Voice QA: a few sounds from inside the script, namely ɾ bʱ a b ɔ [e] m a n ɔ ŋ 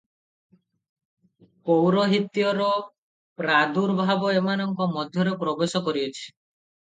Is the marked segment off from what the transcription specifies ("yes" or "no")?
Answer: no